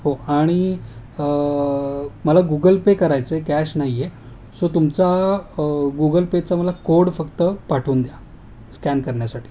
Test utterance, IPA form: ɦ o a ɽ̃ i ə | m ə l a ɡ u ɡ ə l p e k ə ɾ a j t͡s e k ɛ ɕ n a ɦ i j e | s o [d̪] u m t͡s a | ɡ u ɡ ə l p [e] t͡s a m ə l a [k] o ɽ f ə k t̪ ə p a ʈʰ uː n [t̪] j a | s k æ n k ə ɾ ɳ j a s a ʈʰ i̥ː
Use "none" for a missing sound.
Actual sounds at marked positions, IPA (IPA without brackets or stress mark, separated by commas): t̪, e, k, d̪